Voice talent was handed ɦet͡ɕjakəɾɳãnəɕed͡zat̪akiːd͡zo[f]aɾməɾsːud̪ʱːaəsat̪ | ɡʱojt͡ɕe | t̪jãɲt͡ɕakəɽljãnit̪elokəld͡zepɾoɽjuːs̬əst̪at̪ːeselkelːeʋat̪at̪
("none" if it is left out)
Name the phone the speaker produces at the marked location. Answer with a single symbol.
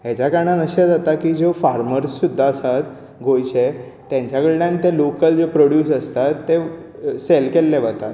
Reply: f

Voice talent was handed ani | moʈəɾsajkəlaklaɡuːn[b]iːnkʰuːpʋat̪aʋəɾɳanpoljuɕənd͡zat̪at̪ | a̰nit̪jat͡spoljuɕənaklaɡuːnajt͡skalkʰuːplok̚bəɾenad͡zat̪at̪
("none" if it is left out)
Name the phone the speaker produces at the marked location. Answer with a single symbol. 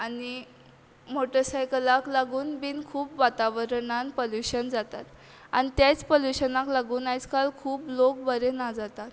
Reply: b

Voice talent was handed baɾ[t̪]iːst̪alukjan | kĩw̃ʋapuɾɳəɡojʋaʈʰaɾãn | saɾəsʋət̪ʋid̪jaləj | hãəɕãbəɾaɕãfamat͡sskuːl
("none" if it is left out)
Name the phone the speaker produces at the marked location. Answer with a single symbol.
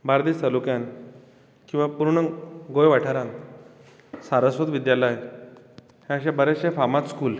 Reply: d̪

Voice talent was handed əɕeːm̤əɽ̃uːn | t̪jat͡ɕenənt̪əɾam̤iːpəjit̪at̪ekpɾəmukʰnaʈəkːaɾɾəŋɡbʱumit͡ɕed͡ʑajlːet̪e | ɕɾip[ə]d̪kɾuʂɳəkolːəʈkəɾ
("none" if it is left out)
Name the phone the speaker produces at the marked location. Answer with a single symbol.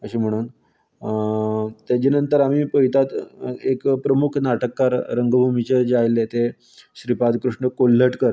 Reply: a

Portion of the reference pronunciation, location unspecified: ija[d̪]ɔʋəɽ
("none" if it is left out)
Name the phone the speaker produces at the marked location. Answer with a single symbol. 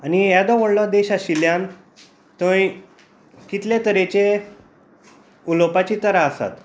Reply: d̪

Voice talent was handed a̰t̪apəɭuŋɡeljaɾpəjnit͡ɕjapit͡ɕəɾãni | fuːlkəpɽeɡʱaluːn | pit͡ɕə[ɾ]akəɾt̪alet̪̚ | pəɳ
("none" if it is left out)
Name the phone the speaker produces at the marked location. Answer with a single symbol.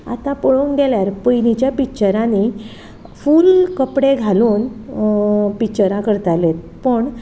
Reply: ɾ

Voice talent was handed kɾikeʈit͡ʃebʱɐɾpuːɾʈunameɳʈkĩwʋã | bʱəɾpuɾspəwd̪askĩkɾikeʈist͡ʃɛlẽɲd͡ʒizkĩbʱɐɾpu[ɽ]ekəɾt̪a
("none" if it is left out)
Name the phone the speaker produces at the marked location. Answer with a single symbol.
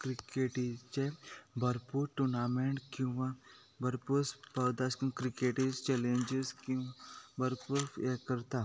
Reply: ɾ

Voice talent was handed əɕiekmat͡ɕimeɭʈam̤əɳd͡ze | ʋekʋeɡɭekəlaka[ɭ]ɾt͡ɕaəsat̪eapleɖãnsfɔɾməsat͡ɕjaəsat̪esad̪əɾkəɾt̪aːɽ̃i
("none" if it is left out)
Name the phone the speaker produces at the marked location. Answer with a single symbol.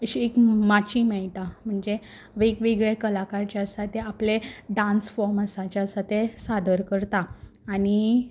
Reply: none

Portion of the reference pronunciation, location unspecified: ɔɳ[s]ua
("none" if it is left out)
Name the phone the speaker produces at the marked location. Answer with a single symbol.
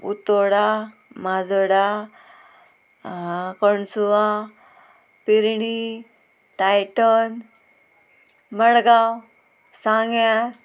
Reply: s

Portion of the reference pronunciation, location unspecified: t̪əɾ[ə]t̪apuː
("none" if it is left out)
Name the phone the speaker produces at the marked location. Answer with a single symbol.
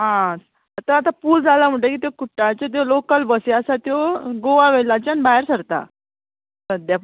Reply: a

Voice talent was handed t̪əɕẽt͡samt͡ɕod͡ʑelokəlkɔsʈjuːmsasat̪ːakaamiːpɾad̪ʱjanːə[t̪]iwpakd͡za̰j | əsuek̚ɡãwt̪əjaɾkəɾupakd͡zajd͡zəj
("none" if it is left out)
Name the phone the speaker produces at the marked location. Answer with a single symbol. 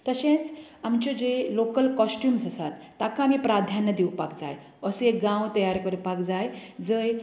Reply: d̪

